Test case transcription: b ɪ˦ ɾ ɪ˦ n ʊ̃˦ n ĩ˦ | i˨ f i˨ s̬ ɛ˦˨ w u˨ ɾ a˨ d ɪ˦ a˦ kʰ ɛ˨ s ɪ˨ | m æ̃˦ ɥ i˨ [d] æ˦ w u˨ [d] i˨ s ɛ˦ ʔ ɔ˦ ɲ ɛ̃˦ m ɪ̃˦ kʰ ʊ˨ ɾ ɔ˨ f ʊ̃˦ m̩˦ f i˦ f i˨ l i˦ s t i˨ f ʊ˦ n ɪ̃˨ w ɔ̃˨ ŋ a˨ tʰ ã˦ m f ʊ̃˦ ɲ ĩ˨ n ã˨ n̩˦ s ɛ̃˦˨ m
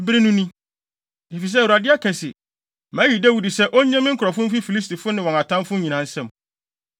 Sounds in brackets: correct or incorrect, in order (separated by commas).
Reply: correct, correct